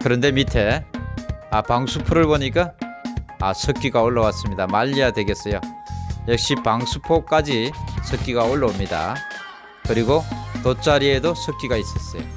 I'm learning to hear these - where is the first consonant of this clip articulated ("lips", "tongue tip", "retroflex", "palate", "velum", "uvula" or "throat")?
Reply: velum